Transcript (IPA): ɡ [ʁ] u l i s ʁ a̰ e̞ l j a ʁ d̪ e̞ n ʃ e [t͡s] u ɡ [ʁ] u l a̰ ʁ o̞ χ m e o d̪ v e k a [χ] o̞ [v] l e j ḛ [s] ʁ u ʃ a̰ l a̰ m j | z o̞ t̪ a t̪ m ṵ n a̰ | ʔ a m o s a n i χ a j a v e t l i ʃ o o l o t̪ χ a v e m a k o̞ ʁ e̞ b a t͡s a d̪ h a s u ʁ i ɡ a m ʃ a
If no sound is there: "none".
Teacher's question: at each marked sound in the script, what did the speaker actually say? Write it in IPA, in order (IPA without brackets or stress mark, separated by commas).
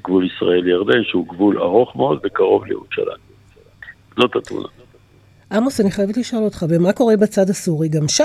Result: v, none, v, ʁ, v, none